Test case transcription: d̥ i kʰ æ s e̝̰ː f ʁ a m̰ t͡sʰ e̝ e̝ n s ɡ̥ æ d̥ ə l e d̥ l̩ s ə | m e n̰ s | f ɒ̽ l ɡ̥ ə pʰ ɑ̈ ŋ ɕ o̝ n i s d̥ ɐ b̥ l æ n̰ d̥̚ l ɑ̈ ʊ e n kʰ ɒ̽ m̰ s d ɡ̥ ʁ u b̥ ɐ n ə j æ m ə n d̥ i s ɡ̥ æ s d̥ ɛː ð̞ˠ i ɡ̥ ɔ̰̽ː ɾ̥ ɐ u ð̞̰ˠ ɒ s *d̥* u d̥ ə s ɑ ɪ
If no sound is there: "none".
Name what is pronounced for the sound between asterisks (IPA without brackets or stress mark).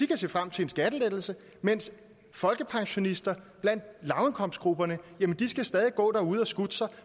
ɡ̥